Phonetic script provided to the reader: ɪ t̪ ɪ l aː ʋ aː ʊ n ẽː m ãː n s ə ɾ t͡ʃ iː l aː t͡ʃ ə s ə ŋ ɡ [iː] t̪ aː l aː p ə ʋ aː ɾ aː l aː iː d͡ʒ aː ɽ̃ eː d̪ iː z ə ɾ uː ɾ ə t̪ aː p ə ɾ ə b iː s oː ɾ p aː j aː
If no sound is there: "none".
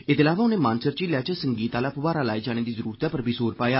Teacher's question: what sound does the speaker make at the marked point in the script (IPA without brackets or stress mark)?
iː